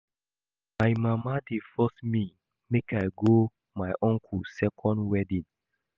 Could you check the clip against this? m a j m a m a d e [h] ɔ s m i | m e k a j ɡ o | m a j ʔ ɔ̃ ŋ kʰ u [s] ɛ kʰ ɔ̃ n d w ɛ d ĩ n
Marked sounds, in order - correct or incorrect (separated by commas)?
incorrect, correct